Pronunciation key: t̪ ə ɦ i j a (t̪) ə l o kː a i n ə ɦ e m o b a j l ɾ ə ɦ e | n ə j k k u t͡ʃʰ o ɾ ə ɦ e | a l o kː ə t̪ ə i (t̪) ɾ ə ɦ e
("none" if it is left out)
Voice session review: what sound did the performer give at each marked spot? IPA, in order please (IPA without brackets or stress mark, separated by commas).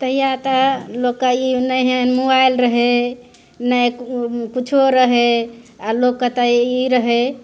t̪, none